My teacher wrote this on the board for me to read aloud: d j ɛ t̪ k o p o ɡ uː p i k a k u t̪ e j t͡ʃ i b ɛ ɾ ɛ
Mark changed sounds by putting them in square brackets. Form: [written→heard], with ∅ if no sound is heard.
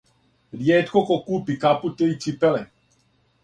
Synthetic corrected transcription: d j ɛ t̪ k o [p→k] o [ɡ→k] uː p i k a [k→p] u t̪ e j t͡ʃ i [b→p] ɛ [ɾ→l] ɛ